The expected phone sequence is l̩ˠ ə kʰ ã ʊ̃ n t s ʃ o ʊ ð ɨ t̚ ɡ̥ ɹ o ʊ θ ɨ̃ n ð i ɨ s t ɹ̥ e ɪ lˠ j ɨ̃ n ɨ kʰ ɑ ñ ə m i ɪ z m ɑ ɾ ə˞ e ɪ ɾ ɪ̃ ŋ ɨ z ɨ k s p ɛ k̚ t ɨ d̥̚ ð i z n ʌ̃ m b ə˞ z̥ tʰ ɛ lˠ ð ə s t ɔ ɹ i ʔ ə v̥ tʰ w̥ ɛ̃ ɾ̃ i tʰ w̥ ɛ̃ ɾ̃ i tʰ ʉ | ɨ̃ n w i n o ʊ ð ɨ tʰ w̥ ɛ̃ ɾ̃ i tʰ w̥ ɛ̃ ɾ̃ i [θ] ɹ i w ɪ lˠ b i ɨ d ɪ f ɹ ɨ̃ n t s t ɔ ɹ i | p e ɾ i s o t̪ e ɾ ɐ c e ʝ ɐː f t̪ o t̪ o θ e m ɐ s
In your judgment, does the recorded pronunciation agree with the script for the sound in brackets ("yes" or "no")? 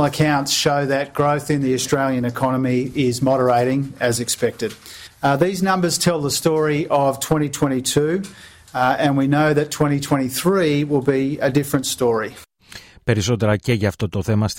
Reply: yes